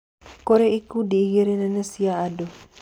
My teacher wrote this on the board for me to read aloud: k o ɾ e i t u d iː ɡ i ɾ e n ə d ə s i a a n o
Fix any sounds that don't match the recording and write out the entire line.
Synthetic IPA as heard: k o ɾ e i k u d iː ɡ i ɾ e n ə n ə s i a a d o